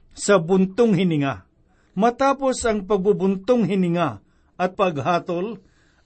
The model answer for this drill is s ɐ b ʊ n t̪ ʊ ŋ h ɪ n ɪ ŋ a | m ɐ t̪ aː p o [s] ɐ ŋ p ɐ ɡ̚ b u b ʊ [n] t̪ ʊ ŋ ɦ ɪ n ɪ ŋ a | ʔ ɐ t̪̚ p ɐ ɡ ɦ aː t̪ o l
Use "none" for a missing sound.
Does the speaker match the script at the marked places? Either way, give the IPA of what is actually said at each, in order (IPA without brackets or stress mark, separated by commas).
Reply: s, n